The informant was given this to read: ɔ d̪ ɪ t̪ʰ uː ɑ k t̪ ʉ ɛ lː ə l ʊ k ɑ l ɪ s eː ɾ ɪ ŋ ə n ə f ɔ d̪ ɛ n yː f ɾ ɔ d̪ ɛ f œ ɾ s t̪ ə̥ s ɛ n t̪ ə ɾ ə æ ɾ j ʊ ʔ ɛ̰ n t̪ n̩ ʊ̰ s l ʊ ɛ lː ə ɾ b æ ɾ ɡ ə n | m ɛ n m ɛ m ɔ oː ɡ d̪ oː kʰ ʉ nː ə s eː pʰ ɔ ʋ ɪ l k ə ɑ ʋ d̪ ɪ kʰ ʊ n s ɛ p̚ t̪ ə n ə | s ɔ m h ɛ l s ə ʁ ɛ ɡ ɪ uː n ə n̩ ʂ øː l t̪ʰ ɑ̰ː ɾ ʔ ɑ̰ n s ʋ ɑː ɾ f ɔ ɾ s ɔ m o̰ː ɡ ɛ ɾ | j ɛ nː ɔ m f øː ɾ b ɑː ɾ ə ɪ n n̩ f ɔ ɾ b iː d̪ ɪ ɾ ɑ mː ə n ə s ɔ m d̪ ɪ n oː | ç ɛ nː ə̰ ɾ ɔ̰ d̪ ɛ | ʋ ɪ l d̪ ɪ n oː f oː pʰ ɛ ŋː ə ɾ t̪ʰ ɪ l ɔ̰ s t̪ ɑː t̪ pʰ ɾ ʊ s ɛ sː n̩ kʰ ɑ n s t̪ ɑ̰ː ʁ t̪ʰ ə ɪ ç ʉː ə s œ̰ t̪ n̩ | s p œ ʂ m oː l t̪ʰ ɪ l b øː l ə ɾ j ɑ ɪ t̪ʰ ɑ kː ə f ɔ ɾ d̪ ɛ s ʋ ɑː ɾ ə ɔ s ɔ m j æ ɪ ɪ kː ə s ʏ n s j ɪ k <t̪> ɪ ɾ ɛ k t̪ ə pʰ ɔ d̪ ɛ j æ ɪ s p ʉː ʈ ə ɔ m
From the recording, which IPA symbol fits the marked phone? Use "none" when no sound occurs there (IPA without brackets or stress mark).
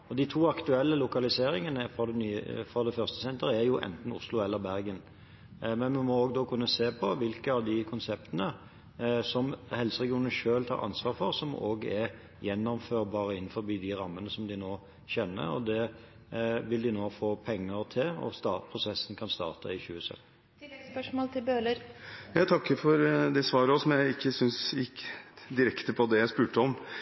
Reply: d̪